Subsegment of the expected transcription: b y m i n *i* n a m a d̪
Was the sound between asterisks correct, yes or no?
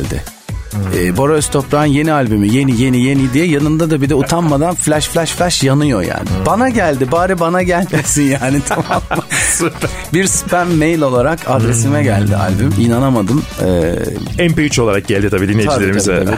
no